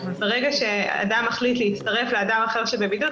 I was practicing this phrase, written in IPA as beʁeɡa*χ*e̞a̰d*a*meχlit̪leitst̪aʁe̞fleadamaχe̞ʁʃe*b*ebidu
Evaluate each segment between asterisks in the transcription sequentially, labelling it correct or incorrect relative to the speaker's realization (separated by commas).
incorrect, correct, correct